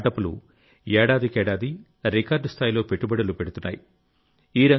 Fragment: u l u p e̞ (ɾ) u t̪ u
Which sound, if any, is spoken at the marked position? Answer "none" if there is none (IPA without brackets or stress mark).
ɽ